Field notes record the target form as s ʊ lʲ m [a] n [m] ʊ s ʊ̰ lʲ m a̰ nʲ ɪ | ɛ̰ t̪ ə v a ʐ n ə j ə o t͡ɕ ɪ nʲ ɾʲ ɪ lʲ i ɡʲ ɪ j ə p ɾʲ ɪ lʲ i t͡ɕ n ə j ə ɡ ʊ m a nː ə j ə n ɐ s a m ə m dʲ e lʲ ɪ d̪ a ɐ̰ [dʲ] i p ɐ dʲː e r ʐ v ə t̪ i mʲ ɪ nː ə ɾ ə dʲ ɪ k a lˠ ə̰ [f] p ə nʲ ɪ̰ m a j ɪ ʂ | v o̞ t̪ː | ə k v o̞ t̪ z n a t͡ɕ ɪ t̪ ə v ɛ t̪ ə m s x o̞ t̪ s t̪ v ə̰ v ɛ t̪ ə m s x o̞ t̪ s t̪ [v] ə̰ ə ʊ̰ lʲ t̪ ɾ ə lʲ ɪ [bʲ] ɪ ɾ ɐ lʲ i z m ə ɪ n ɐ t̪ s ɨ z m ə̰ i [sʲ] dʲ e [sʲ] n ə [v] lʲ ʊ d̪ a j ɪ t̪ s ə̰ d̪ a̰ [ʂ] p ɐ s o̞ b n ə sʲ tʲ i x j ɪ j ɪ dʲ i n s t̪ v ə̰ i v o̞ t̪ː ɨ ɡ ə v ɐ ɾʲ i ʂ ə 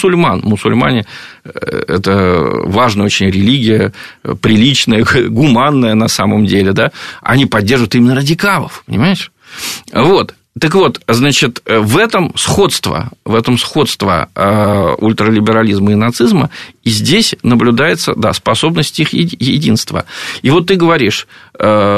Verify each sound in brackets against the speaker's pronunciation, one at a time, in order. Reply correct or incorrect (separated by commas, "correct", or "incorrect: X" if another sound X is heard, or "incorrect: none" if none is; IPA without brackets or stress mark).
correct, correct, incorrect: nʲ, correct, correct, correct, incorrect: zʲ, correct, incorrect: b, incorrect: s